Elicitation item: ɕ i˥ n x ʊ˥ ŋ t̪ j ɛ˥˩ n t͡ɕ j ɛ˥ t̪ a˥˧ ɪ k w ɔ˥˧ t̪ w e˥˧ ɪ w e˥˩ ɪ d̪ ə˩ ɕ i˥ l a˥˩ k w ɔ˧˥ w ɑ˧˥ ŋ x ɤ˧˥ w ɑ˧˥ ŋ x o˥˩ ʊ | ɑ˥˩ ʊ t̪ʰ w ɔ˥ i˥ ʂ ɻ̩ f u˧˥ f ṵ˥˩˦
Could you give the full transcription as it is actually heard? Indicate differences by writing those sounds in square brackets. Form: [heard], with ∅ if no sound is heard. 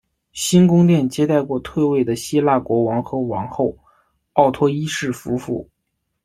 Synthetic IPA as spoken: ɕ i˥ n [k] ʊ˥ ŋ t̪ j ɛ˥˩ n t͡ɕ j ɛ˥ t̪ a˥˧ ɪ k w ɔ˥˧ [t̪ʰ] w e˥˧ ɪ w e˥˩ ɪ d̪ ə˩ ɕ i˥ l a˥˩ k w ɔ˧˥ w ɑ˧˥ ŋ x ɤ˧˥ w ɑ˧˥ ŋ x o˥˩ ʊ | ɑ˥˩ ʊ t̪ʰ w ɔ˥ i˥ ʂ ɻ̩ f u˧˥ f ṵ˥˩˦